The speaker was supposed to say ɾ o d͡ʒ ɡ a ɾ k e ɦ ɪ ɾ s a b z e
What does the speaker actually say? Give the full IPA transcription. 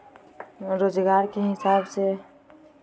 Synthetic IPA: ɾ o d͡ʒ ɡ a ɾ k e ɦ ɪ s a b s e